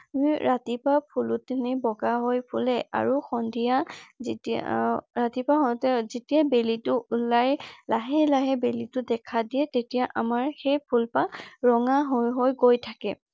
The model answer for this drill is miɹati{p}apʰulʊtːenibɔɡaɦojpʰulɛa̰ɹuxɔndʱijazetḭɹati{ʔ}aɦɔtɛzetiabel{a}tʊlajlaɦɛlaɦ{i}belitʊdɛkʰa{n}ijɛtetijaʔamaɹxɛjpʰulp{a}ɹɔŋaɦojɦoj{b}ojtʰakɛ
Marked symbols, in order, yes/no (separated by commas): yes, no, no, no, no, yes, no